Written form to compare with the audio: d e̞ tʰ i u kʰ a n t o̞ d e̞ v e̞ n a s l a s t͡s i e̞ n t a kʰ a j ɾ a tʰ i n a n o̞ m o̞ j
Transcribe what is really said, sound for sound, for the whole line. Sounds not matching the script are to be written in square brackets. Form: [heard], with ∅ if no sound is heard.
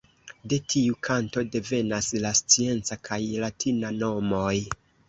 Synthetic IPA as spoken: d e̞ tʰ i u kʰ a n t o̞ d e̞ v e̞ n a s l a s t͡s i e̞ n [t͡s] a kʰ a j [l] a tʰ i n a n o̞ m o̞ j

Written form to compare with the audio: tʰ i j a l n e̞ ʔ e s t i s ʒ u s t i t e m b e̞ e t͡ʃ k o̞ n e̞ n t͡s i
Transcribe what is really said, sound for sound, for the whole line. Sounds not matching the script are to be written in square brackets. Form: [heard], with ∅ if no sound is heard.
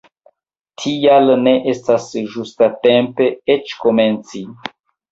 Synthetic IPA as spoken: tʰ i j a l n e̞ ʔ e s t [a] s ʒ u s t [a] t e m [p] e̞ e t͡ʃ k o̞ [m] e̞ n t͡s i

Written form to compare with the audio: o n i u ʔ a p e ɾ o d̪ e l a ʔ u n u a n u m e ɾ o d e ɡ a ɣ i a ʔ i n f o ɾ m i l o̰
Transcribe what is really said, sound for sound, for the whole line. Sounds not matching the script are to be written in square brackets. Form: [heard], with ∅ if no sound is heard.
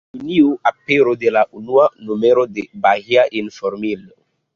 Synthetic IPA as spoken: [u] n i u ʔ a p e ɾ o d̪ e l a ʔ u n u a n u m e ɾ o d e [b] a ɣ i a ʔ i n f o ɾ m i l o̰

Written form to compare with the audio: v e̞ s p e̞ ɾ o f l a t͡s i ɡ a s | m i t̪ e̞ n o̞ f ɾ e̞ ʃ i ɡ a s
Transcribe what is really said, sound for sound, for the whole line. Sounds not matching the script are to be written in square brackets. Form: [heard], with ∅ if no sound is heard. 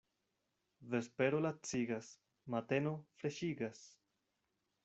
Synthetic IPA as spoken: v e̞ s p e̞ ɾ o [∅] l a t͡s i ɡ a s | m [a] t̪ e̞ n o̞ f ɾ e̞ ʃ i ɡ a s

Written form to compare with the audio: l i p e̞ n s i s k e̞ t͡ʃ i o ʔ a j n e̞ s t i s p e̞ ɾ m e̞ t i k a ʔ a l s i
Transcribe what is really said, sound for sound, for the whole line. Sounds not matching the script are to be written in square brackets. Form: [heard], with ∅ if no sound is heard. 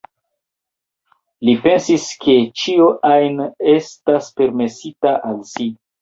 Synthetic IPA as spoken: l i p e̞ n s i s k e̞ t͡ʃ i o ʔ a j n e̞ s t [a] s p e̞ ɾ m e̞ [s] i [t] a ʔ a l s i

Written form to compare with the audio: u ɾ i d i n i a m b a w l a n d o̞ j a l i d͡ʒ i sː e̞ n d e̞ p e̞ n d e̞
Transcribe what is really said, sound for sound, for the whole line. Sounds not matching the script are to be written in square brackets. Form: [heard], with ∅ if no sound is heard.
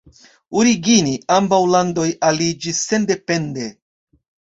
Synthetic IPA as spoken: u ɾ i [ɡ] i n i a m b a w l a n d o̞ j a l i d͡ʒ i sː e̞ n d e̞ p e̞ n d e̞

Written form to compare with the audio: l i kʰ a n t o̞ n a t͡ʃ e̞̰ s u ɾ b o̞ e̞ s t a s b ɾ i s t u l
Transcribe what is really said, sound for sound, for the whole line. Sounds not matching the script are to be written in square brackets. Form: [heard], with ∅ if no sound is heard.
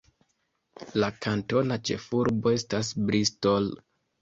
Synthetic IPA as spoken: l [a] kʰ a n t o̞ n a t͡ʃ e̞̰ [f] u ɾ b o̞ e̞ s t a s b ɾ i s t [o] l

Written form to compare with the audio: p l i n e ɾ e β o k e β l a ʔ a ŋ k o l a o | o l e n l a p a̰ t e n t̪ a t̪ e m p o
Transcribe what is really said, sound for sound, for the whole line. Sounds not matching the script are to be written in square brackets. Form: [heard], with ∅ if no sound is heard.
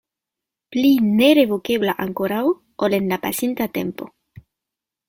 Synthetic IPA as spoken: p l i n e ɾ e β o k e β l a ʔ a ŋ k o [ɾ] a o | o l e n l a p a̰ [s] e n t̪ a t̪ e m p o

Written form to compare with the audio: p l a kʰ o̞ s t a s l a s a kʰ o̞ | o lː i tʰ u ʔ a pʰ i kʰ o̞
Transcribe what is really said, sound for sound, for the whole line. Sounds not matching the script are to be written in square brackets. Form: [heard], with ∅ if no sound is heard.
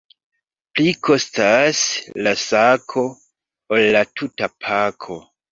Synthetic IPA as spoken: p l [i] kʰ o̞ s t a s l a s a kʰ o̞ | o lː [a] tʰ u [t] a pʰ [a] kʰ o̞

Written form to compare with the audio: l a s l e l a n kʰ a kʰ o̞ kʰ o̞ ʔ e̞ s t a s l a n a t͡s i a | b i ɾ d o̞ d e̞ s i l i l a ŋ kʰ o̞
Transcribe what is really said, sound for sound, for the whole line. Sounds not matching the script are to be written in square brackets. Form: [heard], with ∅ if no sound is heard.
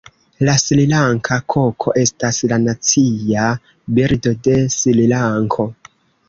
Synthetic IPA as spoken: l a s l [i] l a [ŋ] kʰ a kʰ o̞ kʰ o̞ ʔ e̞ s t a s l a n a t͡s i a | b i ɾ d o̞ d e̞ s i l i l a ŋ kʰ o̞

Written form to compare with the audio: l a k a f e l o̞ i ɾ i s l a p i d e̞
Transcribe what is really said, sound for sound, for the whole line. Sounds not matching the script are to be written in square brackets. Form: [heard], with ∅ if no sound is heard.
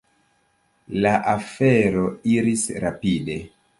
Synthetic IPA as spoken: l a [ʔ] a f e [ɾ] o̞ i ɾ i s [ɾ] a p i d e̞

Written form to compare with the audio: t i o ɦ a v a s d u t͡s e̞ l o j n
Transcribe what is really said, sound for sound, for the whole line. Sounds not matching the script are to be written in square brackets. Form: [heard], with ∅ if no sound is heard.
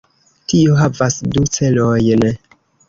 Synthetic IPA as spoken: t i o ɦ a v a s d u t͡s e̞ l o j n

